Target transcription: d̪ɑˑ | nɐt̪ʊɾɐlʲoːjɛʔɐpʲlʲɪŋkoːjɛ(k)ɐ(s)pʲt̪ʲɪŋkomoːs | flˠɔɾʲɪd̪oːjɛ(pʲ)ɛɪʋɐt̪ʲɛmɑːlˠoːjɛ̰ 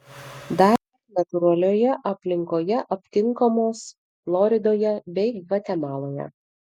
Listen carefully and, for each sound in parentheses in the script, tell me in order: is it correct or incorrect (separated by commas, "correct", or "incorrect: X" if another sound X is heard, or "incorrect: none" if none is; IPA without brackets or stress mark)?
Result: incorrect: ʔ, incorrect: none, incorrect: bʲ